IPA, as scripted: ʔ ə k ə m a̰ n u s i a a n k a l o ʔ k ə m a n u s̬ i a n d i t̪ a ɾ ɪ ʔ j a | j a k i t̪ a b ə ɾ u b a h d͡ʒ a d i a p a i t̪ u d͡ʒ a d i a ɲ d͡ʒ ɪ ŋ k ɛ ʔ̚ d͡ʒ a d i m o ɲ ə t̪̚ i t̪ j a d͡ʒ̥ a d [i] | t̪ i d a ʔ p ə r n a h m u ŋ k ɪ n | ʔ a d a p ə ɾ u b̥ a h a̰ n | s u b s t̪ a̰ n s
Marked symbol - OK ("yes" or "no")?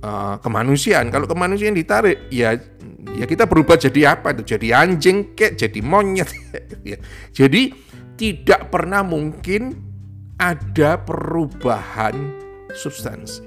yes